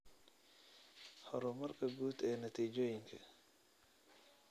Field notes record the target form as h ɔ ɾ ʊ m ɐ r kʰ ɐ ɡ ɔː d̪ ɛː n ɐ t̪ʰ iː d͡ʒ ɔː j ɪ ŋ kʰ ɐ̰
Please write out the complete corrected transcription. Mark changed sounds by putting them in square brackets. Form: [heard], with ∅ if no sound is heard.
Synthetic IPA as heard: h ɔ ɾ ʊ m ɐ r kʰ ɐ ɡ [uː] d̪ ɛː n ɐ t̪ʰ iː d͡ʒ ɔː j ɪ ŋ kʰ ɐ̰

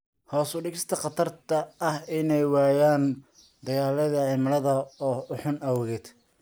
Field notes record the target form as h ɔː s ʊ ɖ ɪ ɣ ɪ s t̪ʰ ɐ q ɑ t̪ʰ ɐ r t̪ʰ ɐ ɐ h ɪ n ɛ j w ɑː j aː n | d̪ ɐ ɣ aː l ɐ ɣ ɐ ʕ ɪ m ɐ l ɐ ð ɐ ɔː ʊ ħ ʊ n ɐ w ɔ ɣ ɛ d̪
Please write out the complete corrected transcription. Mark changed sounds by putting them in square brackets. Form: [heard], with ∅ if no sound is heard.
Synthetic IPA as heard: h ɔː s ʊ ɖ ɪ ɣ ɪ s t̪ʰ ɐ q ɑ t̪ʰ ɐ r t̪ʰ ɐ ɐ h ɪ n ɛ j w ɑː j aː n | d̪ ɐ ɣ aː l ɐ [ð] ɐ ʕ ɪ m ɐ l ɐ ð ɐ ɔː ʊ ħ ʊ n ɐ w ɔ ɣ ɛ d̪

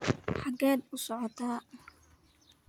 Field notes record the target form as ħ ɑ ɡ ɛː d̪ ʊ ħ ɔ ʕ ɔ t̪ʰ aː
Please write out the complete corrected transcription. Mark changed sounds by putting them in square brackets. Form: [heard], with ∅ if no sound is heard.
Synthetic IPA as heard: ħ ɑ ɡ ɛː d̪ ʊ [s] ɔ ʕ ɔ t̪ʰ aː

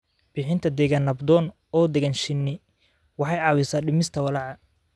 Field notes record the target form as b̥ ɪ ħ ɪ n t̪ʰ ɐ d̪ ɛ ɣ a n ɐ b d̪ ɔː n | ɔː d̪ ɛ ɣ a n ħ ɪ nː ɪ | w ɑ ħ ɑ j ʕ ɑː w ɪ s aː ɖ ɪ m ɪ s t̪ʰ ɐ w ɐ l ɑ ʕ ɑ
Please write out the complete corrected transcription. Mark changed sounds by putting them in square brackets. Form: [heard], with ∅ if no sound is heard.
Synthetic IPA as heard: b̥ ɪ ħ ɪ n t̪ʰ ɐ d̪ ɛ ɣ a n ɐ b d̪ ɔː n | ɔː d̪ ɛ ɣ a n [ʃ] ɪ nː ɪ | w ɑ ħ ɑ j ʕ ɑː w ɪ s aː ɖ ɪ m ɪ s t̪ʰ ɐ w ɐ l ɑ ʕ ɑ

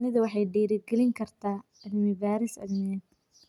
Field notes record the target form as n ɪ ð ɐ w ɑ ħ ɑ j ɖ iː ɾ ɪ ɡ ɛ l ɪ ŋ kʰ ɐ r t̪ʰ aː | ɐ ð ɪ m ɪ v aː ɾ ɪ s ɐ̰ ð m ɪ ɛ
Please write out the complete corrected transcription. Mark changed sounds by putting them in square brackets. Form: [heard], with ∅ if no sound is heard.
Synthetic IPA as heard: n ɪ ð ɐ w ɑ ħ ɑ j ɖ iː ɾ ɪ ɡ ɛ l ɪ ŋ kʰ ɐ r t̪ʰ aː | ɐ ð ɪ m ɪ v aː ɾ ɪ s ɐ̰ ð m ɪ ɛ

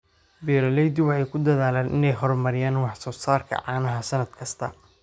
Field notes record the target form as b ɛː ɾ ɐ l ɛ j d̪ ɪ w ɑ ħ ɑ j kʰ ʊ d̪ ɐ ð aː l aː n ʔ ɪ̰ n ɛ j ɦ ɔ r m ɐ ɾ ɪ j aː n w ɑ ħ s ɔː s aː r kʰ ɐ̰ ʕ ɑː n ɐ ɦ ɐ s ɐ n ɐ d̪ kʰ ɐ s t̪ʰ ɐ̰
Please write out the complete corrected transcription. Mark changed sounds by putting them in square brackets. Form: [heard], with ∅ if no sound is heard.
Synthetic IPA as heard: b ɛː ɾ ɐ l ɛ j d̪ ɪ w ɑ ħ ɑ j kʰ ʊ d̪ ɐ ð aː l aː n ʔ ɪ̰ n ɛ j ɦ ɔ r m ɐ ɾ ɪ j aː n w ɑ ħ s ɔː s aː r kʰ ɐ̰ ʕ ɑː n ɐ ɦ ɐ s ɐ n ɐ d̪ kʰ ɐ s t̪ʰ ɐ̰

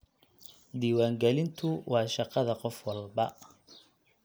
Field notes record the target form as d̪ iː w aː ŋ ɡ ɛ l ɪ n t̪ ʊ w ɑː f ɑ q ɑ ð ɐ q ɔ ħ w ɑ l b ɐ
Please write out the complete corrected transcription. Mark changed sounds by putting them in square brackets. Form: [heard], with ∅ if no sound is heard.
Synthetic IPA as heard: d̪ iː w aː ŋ ɡ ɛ l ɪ n [t̪ʰ] ʊ w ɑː [ʃ] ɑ q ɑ ð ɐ q ɔ [f] w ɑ l b ɐ

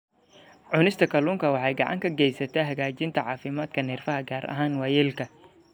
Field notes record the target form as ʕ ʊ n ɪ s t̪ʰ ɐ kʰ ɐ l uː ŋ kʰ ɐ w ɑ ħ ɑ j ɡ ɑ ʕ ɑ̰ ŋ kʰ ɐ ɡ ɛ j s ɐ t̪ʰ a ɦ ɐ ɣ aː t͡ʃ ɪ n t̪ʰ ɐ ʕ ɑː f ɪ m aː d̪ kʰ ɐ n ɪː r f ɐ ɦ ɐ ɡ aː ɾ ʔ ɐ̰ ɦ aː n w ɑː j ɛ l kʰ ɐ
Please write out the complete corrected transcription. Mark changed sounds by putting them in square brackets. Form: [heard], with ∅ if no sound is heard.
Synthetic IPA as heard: ʕ ʊ n ɪ s t̪ʰ ɐ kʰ ɐ l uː ŋ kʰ ɐ w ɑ ħ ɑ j ɡ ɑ ʕ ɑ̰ ŋ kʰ ɐ ɡ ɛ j s ɐ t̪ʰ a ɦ ɐ ɣ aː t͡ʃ ɪ n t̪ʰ ɐ ʕ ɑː f ɪ m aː d̪ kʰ ɐ n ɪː r f ɐ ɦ ɐ ɡ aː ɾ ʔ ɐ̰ ɦ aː n w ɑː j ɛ l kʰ ɐ

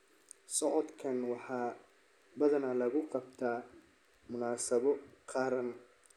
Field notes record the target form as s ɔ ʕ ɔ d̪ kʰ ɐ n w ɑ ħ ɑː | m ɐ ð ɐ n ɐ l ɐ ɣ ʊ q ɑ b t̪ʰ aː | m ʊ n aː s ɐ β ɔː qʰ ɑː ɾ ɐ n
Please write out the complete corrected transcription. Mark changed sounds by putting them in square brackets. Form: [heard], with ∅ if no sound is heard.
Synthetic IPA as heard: s ɔ ʕ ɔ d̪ kʰ ɐ n w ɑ ħ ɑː | [b] ɐ ð ɐ n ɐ l ɐ ɣ ʊ q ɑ b t̪ʰ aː | m ʊ n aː s ɐ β [ɔ] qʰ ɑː ɾ ɐ n

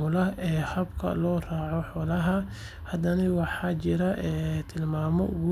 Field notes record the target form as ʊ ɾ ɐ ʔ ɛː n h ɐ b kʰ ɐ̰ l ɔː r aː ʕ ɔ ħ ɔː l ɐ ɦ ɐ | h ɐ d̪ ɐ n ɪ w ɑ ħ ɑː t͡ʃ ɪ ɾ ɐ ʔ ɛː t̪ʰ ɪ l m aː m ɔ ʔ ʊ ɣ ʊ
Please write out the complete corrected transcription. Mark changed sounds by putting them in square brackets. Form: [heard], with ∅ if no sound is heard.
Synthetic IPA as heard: ʊ [l] ɐ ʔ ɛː [∅] h ɐ b kʰ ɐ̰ l ɔː r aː ʕ ɔ ħ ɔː l ɐ ɦ ɐ | h ɐ d̪ ɐ n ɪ w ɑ ħ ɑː t͡ʃ ɪ ɾ ɐ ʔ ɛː t̪ʰ ɪ l m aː m ɔ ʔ ʊ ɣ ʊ

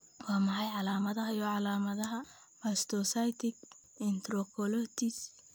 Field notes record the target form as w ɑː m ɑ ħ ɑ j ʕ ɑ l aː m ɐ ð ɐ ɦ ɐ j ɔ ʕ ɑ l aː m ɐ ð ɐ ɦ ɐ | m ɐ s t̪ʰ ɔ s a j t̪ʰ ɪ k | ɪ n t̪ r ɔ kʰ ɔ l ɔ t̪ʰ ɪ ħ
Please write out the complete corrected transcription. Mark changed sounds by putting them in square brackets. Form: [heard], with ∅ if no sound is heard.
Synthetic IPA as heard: w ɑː m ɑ ħ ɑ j ʕ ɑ l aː m ɐ ð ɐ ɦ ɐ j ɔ ʕ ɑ l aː m ɐ ð ɐ ɦ ɐ | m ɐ s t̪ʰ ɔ s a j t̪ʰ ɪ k | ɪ n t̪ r ɔ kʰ ɔ l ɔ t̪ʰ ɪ [s]

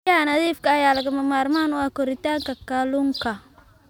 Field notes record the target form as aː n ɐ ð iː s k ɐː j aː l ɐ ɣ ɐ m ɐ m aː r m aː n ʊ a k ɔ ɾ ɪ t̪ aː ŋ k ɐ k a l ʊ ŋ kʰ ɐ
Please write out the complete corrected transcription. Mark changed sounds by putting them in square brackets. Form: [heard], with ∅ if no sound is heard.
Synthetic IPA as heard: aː n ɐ ð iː [f] k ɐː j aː l ɐ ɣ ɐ m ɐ m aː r m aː n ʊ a k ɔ ɾ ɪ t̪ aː ŋ k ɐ k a l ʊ ŋ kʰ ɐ

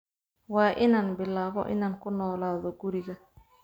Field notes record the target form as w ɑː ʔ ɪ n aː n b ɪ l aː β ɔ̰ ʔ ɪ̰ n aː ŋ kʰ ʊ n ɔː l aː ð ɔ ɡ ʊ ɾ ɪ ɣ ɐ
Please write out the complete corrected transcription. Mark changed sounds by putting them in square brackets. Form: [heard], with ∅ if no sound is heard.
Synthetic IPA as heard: w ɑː ʔ ɪ n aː n b ɪ l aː β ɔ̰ ʔ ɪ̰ n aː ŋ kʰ ʊ n ɔː l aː ð ɔ ɡ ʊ ɾ ɪ ɣ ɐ

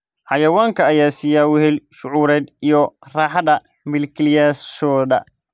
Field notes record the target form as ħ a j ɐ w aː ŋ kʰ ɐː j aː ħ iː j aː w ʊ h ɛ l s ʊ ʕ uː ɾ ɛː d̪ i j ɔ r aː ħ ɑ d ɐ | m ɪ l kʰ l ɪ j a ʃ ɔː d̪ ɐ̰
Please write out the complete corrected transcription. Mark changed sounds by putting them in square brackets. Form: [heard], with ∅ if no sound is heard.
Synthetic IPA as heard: ħ [ɑ] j ɐ w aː ŋ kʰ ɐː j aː [s] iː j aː w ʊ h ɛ l [ʃ] ʊ ʕ uː ɾ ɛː d̪ i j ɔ r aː ħ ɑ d ɐ | m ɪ l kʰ l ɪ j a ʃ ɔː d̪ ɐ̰

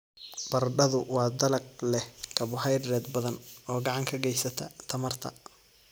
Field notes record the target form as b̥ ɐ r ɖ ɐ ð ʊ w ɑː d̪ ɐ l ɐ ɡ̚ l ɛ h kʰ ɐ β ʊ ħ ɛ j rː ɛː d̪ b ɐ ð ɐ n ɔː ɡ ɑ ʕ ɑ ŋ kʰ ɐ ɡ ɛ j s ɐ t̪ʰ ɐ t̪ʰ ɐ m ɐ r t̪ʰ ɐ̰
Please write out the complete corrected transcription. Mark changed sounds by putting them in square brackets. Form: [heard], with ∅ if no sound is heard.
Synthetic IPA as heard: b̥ ɐ r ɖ ɐ ð ʊ w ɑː d̪ ɐ l ɐ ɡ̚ l ɛ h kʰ ɐ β ʊ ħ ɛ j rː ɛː d̪ b ɐ ð ɐ n ɔː ɡ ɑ ʕ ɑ ŋ kʰ ɐ ɡ ɛ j s ɐ t̪ʰ ɐ t̪ʰ ɐ m ɐ r t̪ʰ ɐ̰

